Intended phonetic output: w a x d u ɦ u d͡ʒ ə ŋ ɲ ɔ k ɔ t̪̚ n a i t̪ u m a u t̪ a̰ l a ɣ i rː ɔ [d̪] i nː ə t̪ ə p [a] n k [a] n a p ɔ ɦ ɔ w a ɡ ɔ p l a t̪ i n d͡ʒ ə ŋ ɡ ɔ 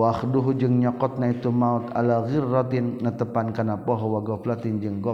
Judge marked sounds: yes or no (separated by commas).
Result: no, yes, yes